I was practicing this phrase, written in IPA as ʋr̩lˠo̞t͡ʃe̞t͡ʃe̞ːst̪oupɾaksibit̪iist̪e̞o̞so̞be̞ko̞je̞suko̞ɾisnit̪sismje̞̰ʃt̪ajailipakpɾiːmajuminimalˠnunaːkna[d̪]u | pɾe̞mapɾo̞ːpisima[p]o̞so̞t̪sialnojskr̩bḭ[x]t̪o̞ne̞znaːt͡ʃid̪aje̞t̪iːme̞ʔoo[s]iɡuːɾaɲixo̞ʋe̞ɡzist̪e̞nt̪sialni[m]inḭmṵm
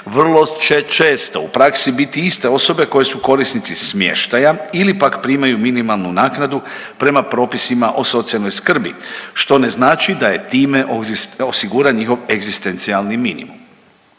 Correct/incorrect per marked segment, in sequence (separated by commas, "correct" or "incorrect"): correct, incorrect, incorrect, correct, correct